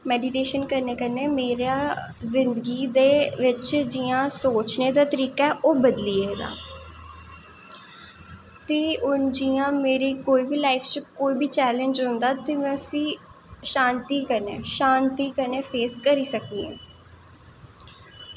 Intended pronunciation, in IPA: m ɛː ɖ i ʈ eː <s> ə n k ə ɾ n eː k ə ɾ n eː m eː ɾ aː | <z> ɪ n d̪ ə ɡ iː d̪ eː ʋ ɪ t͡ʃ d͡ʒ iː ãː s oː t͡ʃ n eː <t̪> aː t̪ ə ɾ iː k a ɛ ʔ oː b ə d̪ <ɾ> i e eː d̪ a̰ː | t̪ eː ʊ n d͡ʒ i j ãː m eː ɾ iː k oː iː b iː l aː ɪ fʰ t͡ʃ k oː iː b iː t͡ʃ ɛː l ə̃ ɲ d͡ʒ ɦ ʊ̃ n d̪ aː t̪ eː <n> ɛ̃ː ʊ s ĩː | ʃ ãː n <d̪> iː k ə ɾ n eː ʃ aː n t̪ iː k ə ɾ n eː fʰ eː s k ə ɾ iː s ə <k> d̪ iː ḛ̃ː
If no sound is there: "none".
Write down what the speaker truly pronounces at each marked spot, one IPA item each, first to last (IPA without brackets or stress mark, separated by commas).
ʃ, z, d̪, l, m, t̪, k